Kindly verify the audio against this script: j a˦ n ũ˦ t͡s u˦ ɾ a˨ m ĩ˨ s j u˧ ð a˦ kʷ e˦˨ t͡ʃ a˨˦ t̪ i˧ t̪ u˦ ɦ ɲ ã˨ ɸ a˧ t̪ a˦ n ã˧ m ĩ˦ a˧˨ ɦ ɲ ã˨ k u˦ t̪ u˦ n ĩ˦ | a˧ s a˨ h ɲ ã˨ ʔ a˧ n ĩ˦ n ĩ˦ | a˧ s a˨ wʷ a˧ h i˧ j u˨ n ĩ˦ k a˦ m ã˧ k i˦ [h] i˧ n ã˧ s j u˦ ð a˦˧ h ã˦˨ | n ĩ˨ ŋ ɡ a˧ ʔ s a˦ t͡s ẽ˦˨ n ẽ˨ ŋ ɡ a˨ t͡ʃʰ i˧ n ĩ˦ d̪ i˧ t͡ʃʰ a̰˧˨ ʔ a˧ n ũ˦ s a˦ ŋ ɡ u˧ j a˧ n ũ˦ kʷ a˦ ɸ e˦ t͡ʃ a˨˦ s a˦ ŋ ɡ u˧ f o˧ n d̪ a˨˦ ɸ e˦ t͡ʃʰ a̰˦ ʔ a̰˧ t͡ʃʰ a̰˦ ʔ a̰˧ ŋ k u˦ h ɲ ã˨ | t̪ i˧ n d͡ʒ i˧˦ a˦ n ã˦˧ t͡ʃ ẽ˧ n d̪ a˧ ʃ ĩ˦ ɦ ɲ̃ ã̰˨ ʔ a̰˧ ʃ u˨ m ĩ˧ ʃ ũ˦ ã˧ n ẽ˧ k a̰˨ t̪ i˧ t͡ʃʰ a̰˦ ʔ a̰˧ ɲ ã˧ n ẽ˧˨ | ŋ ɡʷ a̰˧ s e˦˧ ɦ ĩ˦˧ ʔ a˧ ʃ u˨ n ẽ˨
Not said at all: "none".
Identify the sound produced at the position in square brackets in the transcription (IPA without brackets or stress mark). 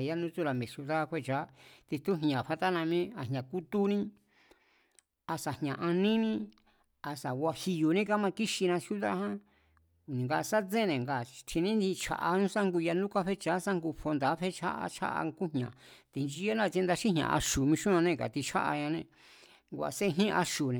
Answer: ʃ